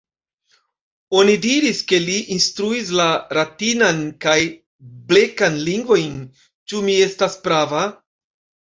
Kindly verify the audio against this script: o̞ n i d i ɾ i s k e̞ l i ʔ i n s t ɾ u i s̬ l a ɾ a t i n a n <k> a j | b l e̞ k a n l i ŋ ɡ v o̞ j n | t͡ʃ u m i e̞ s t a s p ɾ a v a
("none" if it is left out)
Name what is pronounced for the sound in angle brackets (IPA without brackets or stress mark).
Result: k